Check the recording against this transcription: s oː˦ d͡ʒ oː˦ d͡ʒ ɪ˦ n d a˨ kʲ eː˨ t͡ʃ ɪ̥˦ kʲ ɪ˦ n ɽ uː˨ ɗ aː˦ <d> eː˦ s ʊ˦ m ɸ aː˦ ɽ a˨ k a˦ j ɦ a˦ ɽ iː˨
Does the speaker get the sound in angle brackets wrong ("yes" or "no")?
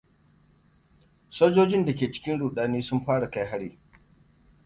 yes